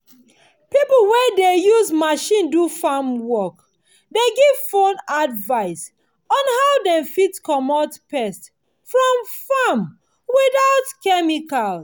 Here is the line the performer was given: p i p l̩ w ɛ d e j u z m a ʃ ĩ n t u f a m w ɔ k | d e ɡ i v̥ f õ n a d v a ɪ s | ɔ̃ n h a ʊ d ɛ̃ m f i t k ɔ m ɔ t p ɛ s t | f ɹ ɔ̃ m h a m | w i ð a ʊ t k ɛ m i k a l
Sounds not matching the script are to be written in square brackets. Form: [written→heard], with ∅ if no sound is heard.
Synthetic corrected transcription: p i p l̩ w ɛ d e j u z m a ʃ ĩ n [t→d] u f a m w ɔ k | d e ɡ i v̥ f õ n a d v a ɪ s | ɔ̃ n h a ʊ d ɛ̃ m f i t k ɔ m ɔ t p ɛ s t | f ɹ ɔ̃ m [h→f] a m | w i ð a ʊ t k ɛ m i k a l